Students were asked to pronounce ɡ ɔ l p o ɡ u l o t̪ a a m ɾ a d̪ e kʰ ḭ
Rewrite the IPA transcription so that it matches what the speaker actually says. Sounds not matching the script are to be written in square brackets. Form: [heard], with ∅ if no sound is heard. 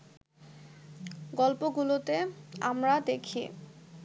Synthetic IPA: ɡ ɔ l p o ɡ u l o t̪ [e] a m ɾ a d̪ e kʰ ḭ